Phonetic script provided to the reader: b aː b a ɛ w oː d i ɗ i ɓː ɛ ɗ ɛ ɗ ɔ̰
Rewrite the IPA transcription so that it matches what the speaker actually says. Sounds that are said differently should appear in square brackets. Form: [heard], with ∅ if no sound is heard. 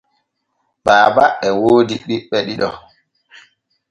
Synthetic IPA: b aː b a ɛ w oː d i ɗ i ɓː ɛ ɗ [i] ɗ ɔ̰